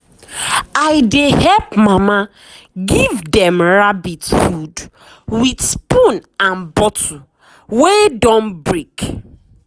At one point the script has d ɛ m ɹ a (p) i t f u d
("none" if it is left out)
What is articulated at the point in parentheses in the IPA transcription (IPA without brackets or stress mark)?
b